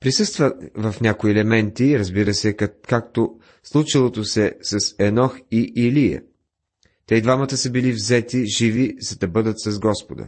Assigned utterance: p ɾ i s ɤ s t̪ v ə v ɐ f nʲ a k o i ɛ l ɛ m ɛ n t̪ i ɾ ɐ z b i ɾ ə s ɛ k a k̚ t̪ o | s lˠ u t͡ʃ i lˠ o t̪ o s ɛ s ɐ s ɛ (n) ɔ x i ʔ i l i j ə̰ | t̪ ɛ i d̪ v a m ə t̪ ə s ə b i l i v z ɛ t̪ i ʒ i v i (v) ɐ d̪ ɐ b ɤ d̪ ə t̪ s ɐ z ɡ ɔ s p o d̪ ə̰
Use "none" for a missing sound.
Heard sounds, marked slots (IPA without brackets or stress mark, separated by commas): n, z